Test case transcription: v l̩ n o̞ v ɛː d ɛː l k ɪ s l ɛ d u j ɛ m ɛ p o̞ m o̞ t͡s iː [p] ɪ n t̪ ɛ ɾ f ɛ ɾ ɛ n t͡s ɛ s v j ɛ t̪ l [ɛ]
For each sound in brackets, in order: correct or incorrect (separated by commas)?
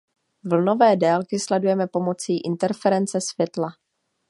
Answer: incorrect, incorrect